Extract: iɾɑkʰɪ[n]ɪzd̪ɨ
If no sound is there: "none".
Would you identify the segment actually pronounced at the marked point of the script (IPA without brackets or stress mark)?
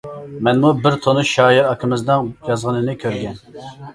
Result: m